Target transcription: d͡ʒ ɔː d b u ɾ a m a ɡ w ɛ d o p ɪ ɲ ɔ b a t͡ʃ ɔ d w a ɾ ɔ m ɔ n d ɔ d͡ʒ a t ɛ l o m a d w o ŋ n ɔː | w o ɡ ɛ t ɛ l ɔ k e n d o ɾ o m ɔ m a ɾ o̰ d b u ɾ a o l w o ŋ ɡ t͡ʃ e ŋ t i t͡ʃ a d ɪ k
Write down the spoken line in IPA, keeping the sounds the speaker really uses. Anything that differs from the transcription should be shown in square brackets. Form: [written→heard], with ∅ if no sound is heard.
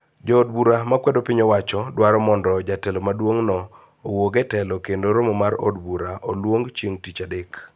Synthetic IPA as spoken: d͡ʒ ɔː d b u ɾ a m a [ɡ→k] w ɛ d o p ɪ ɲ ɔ [b→w] a t͡ʃ ɔ d w a ɾ ɔ m ɔ n d ɔ d͡ʒ a t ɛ l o m a d w o ŋ n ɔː | w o ɡ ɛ t ɛ l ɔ k e n d o ɾ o m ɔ m a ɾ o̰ d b u ɾ a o l w o ŋ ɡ t͡ʃ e ŋ t i t͡ʃ a d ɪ k